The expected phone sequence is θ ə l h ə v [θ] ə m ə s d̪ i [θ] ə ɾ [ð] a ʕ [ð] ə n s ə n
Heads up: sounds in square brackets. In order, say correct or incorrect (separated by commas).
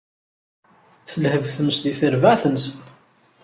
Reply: correct, correct, incorrect, incorrect